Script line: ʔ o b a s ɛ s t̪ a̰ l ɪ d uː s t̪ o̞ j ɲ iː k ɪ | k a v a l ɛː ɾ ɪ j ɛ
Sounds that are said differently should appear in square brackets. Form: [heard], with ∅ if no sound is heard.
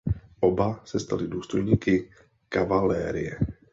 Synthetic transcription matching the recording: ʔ o b a s ɛ s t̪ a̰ l ɪ d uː s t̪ o̞ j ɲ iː k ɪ | k a v a l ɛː ɾ ɪ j ɛ